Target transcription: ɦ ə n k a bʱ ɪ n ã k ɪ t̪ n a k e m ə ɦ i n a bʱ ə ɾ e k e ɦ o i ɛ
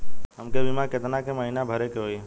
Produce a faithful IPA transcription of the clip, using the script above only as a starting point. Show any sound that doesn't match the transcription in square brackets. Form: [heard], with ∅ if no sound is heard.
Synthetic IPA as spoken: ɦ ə [m] k [e] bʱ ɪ [m] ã k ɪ t̪ n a k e m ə ɦ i n a bʱ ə ɾ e k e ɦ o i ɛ